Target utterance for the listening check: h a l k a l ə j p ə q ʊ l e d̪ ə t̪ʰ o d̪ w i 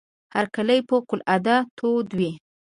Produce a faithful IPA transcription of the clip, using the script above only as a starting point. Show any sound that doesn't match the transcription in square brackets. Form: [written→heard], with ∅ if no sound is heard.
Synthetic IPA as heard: h a [l→ɾ] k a l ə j p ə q ʊ l [e→a] d̪ [ə→a] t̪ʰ o d̪ w i